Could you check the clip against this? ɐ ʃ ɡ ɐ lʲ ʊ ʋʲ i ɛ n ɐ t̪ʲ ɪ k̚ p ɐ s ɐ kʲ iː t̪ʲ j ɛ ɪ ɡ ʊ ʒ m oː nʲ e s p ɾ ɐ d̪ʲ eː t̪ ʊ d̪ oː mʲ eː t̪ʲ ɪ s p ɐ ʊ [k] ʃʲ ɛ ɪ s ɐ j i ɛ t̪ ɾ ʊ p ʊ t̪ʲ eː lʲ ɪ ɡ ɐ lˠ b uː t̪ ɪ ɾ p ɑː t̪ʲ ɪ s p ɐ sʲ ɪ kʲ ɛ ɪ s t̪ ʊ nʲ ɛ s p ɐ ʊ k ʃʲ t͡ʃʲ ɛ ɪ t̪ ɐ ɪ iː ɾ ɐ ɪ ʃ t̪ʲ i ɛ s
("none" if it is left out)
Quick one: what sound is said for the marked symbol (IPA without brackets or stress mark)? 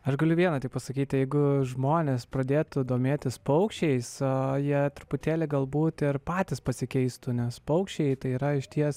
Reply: k